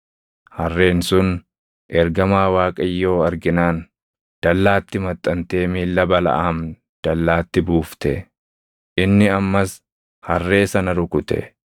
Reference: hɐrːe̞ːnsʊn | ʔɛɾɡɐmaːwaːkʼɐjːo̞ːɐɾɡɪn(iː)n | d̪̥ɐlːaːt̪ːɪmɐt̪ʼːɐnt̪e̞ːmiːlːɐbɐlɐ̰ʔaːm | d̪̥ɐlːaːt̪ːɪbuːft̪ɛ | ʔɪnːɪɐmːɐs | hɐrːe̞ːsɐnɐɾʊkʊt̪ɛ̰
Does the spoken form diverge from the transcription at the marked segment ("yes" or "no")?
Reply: yes